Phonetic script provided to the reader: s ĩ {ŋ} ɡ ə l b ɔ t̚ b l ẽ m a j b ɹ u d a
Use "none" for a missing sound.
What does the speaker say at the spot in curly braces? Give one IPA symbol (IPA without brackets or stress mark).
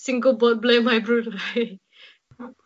ŋ